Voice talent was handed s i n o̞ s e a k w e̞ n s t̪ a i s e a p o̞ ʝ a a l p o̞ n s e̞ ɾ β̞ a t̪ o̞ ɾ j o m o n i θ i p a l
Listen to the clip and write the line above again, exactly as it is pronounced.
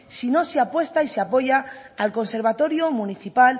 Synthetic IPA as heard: s i n o̞ s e a p w e̞ s t̪ a i s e a p o̞ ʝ a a l k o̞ n s e̞ ɾ β̞ a t̪ o̞ ɾ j o m u n i θ i p a l